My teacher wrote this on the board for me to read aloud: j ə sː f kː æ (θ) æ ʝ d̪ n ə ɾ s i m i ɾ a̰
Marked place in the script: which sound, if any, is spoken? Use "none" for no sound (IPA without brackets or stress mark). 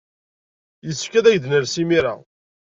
ð